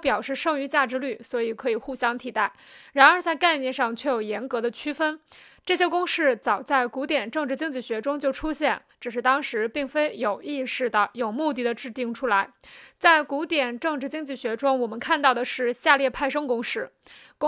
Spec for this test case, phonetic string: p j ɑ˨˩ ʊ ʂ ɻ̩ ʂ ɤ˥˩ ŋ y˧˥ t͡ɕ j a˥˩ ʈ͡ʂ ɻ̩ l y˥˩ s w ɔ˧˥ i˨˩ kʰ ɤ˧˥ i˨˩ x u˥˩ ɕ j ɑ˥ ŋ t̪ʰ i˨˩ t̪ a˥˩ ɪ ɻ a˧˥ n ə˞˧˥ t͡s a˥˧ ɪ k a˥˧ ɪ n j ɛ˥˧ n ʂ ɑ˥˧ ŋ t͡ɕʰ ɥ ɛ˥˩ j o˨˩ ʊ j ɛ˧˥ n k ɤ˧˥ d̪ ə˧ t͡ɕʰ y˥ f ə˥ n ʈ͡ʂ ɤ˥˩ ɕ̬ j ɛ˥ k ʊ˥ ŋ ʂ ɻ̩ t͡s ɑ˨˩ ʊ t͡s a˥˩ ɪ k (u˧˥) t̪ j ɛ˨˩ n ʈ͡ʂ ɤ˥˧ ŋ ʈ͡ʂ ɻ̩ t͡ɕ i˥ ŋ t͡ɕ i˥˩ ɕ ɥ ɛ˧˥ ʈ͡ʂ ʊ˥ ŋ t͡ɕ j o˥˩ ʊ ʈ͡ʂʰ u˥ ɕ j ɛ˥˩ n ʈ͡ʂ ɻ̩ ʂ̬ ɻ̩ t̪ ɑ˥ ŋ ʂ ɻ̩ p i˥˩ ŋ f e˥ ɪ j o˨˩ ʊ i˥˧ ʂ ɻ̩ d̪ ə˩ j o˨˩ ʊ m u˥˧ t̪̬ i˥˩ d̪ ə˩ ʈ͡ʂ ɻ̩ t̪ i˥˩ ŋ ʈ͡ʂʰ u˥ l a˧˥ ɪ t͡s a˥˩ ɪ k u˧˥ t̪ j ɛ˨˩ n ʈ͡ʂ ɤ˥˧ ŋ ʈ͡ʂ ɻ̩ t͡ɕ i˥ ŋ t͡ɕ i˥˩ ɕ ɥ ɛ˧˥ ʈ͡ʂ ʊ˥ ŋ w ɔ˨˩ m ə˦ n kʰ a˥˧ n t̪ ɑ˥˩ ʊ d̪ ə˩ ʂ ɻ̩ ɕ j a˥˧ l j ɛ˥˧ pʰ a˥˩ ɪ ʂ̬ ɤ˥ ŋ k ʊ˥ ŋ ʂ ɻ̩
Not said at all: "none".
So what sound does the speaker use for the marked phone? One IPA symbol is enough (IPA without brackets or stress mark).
u˧˥